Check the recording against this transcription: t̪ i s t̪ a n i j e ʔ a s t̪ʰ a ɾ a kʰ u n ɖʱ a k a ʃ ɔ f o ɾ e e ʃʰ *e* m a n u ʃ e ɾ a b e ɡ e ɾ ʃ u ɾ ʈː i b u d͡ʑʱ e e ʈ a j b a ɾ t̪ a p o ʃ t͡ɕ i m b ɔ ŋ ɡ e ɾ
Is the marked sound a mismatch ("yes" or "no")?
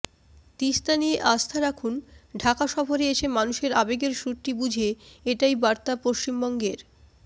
no